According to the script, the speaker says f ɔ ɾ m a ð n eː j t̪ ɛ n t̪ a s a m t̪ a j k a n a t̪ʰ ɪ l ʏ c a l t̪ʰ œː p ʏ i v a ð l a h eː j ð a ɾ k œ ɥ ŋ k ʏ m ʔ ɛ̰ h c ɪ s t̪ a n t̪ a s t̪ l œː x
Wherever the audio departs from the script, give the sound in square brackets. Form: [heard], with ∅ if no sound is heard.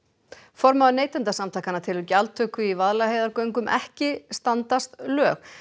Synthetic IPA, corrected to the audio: f ɔ ɾ m a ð n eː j t̪ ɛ n t̪ a s a m t̪ a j k a n a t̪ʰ ɪ l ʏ c a l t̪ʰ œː [k] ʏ i v a ð l a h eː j ð a ɾ k œ ɥ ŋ k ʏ m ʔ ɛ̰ h c ɪ s t̪ a n t̪ a s t̪ l œː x